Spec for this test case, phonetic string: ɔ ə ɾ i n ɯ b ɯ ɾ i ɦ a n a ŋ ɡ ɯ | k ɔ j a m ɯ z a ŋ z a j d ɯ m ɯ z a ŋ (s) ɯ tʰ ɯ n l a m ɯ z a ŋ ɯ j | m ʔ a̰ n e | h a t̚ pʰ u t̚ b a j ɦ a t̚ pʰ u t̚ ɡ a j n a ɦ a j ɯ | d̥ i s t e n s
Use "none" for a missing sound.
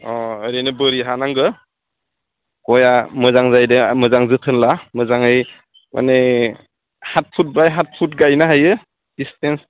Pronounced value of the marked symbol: z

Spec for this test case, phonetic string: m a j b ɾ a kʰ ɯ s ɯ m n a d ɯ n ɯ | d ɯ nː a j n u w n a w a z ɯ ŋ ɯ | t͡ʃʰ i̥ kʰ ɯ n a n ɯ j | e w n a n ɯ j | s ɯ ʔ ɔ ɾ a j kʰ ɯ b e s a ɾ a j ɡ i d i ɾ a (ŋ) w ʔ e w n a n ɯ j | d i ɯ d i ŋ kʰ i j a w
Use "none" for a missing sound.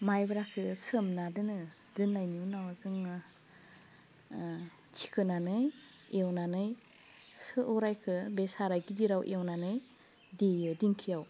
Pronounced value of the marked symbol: none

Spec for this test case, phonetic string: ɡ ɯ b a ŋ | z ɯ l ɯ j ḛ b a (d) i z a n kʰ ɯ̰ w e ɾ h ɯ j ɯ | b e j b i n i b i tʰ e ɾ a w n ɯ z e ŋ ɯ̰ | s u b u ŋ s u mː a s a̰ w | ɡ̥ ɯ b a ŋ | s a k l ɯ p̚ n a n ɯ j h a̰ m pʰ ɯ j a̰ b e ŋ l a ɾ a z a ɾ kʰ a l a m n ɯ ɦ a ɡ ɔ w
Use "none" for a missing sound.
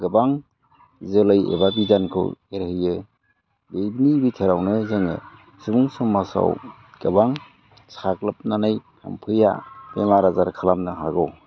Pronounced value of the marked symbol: b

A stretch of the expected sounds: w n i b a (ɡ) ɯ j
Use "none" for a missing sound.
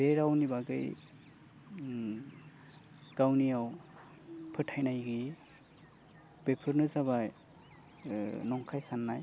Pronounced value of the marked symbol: ɡ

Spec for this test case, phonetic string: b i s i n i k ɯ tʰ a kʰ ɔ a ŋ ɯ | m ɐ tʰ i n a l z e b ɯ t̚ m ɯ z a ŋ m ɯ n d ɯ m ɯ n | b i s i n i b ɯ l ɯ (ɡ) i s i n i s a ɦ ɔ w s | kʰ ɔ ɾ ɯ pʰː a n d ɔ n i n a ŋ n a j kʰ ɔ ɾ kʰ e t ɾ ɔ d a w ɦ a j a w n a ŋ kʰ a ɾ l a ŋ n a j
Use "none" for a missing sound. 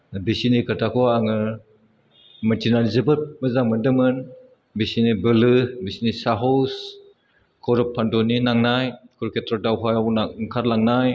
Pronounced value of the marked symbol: b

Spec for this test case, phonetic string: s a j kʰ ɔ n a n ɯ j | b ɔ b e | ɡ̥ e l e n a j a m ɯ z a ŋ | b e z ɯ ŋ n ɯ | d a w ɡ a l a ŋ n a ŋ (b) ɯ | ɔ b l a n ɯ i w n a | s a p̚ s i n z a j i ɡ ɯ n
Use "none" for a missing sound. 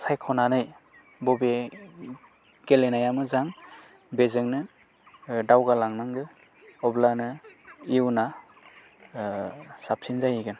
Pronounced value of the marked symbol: ɡ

